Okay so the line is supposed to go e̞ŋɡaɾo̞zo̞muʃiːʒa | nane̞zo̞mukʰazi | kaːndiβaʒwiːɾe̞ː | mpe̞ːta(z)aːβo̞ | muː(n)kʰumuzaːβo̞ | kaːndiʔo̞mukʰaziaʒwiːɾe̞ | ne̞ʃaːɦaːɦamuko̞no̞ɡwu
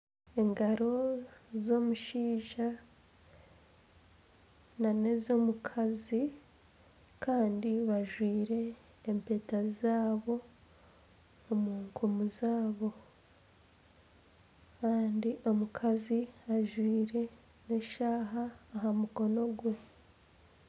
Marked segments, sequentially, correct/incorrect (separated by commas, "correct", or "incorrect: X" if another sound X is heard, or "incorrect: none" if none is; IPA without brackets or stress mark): correct, incorrect: ŋ